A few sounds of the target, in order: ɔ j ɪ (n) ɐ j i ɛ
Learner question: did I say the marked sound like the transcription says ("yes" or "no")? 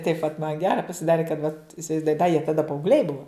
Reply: no